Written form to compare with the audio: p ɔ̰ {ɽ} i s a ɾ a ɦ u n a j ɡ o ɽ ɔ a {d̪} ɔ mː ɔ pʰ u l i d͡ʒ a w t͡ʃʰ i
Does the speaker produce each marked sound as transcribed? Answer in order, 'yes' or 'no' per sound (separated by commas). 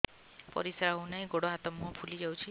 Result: no, no